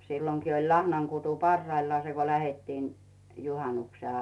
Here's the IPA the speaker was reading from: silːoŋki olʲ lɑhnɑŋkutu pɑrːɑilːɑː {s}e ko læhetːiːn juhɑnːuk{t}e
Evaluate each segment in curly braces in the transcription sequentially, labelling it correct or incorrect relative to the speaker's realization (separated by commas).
correct, incorrect